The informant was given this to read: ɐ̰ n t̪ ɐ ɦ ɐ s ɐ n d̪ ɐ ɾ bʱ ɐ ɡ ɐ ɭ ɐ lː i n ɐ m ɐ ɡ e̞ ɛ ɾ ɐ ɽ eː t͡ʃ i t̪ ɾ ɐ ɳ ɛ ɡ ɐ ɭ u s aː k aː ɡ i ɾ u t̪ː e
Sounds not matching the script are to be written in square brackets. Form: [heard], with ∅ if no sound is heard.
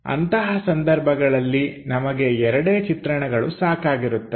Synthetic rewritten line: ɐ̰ n t̪ ɐ ɦ ɐ s ɐ n d̪ ɐ ɾ bʱ ɐ ɡ ɐ ɭ ɐ lː i n ɐ m ɐ ɡ e̞ ɛ ɾ ɐ ɽ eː t͡ʃ i t̪ ɾ ɐ ɳ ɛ ɡ ɐ ɭ u s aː k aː ɡ i ɾ u t̪ː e